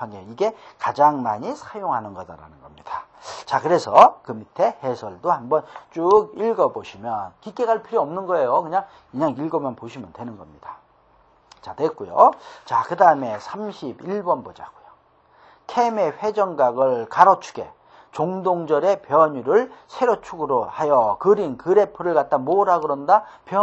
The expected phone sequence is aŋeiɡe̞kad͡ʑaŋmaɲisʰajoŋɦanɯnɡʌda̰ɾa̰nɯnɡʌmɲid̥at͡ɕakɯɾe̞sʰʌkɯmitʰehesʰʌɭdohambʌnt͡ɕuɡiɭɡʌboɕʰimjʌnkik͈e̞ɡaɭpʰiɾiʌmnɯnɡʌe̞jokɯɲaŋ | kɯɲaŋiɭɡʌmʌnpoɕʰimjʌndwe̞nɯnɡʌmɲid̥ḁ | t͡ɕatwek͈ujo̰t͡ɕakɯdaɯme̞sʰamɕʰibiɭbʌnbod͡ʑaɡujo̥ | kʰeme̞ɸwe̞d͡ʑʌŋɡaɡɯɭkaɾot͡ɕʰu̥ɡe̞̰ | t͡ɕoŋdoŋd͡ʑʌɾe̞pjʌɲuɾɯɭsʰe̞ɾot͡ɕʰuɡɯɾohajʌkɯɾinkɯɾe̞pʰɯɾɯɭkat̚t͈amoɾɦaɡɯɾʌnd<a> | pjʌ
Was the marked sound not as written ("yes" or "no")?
no